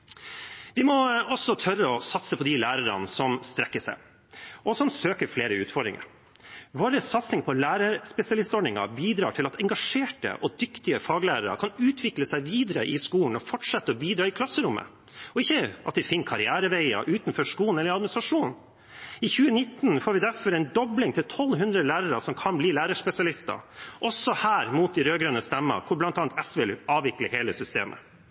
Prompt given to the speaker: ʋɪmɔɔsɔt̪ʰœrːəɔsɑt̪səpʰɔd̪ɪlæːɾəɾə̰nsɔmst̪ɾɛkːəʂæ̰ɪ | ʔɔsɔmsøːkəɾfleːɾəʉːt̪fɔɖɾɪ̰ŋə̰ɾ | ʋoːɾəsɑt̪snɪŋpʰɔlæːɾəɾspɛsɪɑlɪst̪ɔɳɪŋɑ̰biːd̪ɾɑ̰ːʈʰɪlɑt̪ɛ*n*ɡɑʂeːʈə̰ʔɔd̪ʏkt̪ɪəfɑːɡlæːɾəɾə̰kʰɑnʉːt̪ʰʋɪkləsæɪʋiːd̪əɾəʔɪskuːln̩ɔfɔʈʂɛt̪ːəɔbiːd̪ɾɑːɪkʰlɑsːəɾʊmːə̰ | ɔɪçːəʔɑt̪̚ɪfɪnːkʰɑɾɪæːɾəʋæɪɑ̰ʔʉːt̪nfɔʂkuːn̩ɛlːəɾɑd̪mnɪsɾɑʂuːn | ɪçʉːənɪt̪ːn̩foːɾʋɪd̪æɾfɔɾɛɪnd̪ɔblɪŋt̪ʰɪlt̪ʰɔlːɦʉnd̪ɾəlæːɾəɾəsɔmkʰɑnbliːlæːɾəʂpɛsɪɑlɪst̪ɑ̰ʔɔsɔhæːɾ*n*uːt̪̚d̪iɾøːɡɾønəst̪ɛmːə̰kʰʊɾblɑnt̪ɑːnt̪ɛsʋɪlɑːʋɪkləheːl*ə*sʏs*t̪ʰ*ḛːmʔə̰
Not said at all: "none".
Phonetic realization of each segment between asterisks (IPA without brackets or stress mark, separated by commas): ŋ, m, ə, t̪